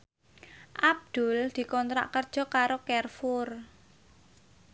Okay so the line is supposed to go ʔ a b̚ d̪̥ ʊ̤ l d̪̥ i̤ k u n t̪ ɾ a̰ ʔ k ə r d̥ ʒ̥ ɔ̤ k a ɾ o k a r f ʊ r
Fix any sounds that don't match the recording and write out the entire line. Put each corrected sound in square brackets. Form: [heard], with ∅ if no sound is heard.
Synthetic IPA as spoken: ʔ a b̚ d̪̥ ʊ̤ l d̪̥ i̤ k [ɔ] n t̪ ɾ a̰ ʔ k ə r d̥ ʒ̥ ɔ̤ k a ɾ o k [ɛ] r f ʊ r